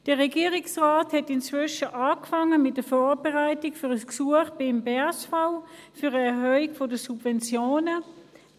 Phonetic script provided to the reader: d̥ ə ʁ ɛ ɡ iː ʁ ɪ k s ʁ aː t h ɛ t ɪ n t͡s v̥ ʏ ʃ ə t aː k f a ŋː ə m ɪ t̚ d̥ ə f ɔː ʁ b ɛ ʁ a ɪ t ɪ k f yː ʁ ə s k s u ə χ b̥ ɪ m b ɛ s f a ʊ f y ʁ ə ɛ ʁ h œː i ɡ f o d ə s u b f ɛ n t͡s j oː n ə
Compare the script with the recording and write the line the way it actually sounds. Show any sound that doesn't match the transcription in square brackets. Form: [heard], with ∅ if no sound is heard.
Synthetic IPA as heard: d̥ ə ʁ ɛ ɡ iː ʁ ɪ k s ʁ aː t h ɛ t ɪ n t͡s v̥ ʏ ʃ ə [ʔ] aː k f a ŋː ə m ɪ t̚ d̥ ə f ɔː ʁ b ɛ ʁ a ɪ t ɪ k f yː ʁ ə s k s u ə χ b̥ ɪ m b ɛ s f a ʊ f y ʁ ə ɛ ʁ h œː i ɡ f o d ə s u b [v] ɛ n t͡s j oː n ə

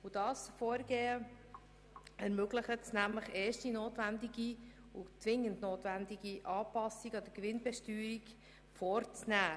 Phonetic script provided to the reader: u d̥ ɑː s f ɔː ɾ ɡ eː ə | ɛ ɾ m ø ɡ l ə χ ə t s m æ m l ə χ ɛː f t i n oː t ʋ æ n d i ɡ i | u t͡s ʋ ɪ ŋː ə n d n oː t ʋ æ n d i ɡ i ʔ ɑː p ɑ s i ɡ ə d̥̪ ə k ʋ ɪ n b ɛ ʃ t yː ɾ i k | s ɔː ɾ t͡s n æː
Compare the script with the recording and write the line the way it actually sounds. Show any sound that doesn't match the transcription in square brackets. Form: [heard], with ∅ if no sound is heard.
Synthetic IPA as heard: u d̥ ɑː s f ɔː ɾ ɡ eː ə | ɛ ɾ m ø ɡ l ə χ ə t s [n] æ m l ə χ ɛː [ʃ] t i n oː t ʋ æ n d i ɡ i | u t͡s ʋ ɪ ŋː ə n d n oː t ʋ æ n d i ɡ i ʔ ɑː p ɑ s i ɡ [ɑ] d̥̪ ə k ʋ ɪ n b ɛ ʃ t yː ɾ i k | [f] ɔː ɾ t͡s n æː

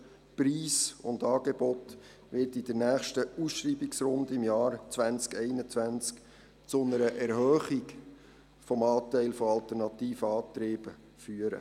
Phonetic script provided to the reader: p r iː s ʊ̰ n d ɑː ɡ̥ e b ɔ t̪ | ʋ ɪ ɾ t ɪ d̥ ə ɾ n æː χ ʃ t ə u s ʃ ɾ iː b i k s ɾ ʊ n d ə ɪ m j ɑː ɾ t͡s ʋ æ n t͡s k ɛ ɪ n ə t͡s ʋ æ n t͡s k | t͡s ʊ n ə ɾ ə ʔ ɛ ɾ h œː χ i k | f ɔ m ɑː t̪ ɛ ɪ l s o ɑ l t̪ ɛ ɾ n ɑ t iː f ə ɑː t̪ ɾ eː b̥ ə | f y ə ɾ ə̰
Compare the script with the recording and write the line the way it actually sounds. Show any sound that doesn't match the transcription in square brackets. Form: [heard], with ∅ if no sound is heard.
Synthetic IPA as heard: p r iː s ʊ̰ n d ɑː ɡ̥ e b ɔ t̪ | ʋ ɪ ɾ t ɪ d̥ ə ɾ n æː χ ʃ t ə u s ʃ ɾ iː b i k s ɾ ʊ n d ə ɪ m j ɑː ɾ t͡s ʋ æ n t͡s k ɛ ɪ n ə t͡s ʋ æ n t͡s k | t͡s ʊ n ə ɾ ə ʔ ɛ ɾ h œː χ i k | f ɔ m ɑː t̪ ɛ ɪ l [f] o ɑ l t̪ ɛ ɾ n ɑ t iː f ə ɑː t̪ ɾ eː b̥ ə | f y ə ɾ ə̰

